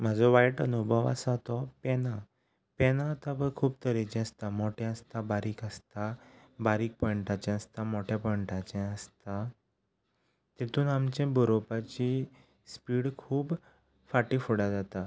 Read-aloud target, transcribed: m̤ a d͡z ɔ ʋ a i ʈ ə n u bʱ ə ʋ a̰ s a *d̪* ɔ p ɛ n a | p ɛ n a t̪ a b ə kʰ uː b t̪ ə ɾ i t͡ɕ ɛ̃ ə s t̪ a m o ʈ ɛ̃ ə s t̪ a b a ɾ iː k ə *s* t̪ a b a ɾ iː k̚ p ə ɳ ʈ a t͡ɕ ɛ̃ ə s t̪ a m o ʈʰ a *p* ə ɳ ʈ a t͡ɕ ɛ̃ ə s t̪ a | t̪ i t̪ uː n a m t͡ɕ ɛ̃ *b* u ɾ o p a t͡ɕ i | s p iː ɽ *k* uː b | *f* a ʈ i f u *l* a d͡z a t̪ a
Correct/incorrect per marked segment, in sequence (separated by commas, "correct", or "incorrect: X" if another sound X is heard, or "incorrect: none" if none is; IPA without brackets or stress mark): incorrect: t̪, correct, correct, correct, incorrect: kʰ, correct, incorrect: ɽ